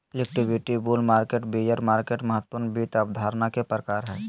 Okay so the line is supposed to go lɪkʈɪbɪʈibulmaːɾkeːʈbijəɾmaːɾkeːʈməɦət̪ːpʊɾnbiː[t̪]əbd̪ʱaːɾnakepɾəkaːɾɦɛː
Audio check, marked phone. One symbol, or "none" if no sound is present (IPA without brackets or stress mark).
t̪